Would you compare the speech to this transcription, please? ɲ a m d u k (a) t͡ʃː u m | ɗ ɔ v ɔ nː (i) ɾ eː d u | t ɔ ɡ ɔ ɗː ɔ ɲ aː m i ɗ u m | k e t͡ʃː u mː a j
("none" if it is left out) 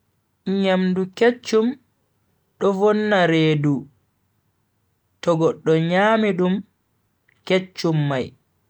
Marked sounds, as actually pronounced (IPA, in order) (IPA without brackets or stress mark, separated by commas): e, a